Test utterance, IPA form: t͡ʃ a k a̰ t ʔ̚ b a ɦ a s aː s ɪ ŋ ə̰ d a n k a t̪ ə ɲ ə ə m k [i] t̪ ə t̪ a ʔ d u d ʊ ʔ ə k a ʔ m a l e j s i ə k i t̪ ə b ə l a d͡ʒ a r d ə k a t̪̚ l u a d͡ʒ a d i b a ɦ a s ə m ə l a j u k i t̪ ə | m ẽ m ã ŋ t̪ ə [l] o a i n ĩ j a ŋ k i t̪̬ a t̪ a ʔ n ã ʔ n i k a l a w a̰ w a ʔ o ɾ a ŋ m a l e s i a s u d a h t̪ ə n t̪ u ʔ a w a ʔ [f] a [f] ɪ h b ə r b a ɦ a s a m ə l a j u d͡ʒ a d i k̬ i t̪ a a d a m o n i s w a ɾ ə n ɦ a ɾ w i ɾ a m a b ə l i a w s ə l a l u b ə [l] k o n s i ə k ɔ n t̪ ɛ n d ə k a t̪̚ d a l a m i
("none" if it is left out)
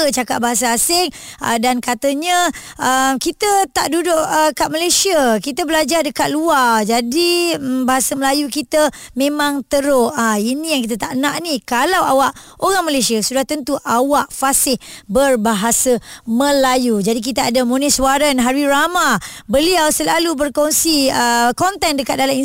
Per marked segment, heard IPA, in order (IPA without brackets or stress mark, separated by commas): i, ɾ, f, s, r